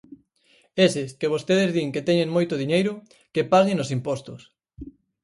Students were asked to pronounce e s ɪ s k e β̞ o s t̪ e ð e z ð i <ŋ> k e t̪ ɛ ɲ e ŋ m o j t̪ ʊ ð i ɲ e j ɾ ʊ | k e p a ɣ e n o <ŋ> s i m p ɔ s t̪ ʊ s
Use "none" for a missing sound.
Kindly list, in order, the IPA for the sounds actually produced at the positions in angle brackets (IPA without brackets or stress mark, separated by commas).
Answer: ŋ, none